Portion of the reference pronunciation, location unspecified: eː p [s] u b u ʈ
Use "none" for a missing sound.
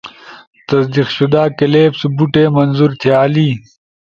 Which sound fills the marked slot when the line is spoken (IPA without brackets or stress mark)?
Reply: s